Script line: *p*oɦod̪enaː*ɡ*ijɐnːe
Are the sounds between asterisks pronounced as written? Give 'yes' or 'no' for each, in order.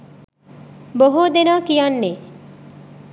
no, no

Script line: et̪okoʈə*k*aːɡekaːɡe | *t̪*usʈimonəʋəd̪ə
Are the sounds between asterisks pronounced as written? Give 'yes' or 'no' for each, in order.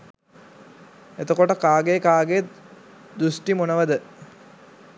yes, no

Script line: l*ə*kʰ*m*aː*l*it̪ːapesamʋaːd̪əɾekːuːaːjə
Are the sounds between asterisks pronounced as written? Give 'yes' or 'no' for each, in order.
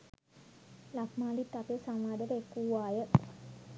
no, yes, yes

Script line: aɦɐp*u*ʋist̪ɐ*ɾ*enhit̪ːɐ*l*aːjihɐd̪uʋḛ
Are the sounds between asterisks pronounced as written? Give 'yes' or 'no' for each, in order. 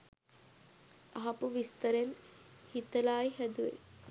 yes, yes, yes

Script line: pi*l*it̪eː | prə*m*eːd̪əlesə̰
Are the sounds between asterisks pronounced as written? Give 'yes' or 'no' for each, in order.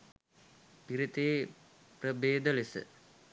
no, no

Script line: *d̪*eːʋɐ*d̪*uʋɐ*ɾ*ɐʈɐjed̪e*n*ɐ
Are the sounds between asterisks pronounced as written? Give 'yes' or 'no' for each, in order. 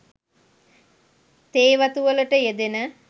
no, no, no, yes

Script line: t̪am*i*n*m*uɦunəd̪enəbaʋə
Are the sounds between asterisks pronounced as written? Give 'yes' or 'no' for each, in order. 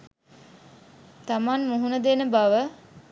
no, yes

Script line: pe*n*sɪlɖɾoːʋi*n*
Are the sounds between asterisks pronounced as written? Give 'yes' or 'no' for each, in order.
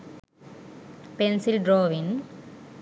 yes, yes

